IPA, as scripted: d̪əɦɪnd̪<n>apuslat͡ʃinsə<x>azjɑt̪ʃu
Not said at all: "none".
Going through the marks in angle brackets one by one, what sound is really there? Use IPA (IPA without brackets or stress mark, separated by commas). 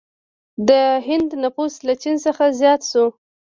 n, x